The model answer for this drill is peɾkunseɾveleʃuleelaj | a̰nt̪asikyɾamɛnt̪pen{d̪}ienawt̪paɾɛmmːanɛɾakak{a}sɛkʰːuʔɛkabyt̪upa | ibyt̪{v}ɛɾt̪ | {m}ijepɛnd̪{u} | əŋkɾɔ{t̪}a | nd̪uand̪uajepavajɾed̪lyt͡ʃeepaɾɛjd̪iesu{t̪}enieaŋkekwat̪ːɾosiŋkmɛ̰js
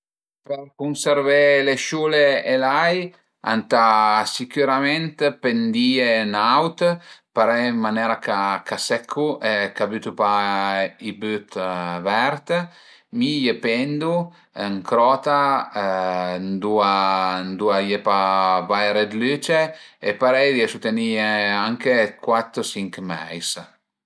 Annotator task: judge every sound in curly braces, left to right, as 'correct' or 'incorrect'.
correct, correct, correct, correct, correct, correct, correct

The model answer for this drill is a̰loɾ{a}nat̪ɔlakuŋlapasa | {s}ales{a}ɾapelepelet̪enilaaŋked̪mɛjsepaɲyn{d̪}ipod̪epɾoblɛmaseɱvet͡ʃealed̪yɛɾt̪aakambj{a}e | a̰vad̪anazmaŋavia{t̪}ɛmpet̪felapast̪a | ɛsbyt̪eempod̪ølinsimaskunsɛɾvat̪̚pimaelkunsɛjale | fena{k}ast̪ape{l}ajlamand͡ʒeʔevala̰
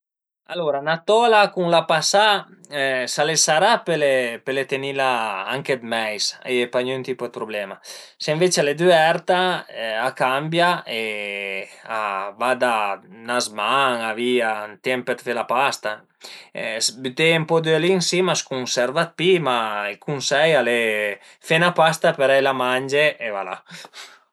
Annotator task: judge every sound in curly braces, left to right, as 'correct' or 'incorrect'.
correct, correct, correct, incorrect: t̪, correct, correct, incorrect: p, incorrect: ɾ

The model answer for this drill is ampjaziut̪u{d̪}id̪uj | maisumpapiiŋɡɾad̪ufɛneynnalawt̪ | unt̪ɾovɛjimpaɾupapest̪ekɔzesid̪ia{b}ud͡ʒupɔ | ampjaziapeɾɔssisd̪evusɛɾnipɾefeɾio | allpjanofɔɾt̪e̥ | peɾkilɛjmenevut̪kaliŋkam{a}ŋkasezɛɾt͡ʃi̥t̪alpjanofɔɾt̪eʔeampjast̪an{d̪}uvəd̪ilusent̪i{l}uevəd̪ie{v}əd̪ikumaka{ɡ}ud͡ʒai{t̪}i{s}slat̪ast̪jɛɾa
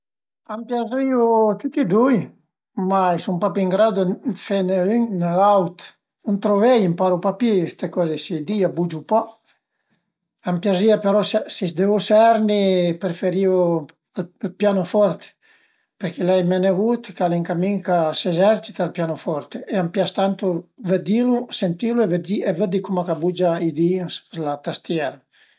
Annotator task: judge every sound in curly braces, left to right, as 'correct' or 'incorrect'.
incorrect: t̪, correct, incorrect: i, incorrect: t̪, correct, correct, incorrect: b, incorrect: d̪, correct

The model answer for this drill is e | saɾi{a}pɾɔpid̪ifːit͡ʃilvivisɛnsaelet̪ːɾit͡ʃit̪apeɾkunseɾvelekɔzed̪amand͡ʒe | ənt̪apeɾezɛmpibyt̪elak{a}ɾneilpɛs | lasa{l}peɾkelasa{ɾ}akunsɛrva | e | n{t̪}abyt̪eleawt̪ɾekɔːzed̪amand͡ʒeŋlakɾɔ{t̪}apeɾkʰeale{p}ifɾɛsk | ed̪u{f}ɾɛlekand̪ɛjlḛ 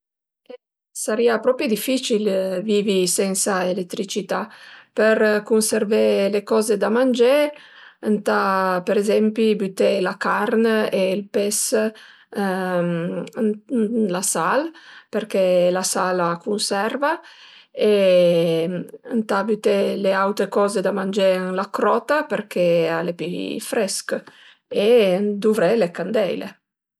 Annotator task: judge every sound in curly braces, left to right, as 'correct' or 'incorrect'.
correct, correct, correct, incorrect: l, correct, correct, correct, incorrect: v

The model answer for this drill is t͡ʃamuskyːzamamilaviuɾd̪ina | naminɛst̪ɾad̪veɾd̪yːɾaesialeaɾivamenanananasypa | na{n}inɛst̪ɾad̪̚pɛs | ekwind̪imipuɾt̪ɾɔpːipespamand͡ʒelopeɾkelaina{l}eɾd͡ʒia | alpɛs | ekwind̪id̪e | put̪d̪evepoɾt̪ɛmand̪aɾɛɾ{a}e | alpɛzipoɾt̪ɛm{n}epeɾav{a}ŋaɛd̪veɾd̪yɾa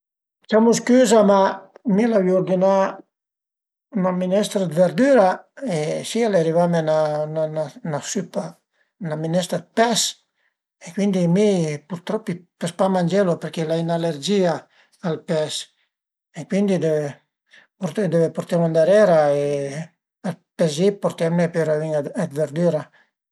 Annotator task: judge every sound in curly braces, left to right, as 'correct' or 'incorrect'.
incorrect: m, correct, correct, correct, incorrect: i

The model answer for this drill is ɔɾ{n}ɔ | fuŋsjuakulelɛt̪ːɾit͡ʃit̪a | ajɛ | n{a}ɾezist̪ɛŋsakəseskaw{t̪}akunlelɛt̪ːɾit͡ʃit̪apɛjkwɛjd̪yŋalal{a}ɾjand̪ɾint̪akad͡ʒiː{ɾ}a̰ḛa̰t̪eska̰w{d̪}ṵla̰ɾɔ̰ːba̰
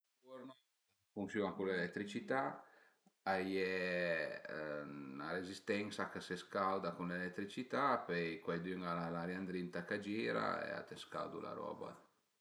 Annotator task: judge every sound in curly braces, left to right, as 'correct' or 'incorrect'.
correct, correct, incorrect: d̪, correct, correct, correct

